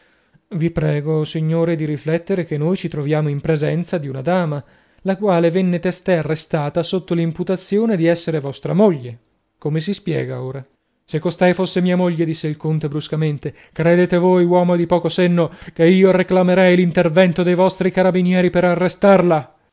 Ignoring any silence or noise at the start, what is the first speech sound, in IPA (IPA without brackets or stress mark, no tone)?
v